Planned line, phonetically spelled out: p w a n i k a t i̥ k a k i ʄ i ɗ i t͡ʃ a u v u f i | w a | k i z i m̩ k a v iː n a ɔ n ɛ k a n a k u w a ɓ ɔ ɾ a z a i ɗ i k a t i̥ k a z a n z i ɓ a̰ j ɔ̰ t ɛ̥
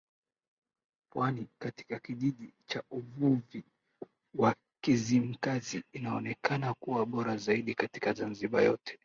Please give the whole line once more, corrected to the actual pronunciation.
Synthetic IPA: p w a n i k a t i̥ k a k i ʄ i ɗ i t͡ʃ a u v u v i | w a | k i z i m̩ k a z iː n a ɔ n ɛ k a n a k u w a ɓ ɔ ɾ a z a i ɗ i k a t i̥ k a z a n z i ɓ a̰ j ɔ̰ t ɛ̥